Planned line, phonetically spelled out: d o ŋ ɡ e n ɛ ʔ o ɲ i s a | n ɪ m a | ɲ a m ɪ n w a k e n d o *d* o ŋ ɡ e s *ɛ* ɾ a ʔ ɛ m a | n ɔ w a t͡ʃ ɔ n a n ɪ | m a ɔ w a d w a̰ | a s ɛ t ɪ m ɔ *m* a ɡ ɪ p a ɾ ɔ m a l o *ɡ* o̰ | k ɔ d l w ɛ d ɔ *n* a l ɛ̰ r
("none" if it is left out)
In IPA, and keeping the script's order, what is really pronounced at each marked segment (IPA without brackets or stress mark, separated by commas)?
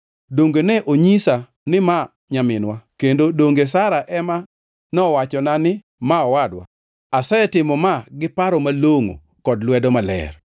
d, a, m, ŋ, m